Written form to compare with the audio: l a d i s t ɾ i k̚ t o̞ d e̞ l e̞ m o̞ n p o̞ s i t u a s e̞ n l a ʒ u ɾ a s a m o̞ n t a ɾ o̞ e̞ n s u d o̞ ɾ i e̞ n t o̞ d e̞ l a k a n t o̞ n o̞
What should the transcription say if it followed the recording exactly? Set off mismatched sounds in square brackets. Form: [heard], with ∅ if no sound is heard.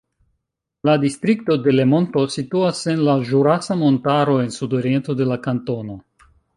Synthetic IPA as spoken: l a d i s t ɾ i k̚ t o̞ d e̞ l e̞ m o̞ n [t] o̞ s i t u a s e̞ n l a ʒ u ɾ a s a m o̞ n t a ɾ o̞ e̞ n s u d o̞ ɾ i e̞ n t o̞ d e̞ l a k a n t o̞ n o̞